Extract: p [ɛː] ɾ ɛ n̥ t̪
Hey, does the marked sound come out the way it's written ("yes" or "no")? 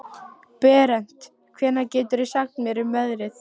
yes